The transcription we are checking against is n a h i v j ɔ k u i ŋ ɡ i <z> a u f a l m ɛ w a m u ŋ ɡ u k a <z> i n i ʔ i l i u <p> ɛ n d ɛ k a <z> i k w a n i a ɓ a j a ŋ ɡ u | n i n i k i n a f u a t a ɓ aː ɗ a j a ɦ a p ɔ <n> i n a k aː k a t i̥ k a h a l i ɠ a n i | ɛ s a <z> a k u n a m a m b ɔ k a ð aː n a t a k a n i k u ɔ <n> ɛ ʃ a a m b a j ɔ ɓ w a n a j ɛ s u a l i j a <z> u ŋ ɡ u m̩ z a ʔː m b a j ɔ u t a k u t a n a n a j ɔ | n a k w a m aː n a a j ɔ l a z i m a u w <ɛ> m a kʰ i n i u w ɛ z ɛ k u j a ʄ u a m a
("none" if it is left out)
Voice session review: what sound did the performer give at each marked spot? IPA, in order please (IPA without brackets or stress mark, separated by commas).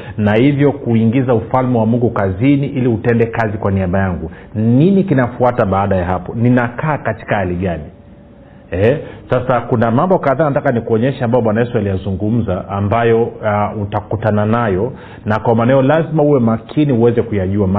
z, z, t, z, n, s, ɲ, z, ɛ